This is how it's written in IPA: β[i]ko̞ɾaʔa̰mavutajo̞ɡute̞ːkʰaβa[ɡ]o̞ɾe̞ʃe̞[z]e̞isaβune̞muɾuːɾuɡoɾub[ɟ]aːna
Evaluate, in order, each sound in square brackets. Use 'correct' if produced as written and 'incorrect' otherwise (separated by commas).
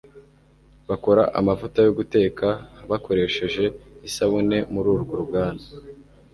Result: incorrect, incorrect, incorrect, incorrect